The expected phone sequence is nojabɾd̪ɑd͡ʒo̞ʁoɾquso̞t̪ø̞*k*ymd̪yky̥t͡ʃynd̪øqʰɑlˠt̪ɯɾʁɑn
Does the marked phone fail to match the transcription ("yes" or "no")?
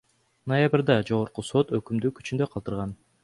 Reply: no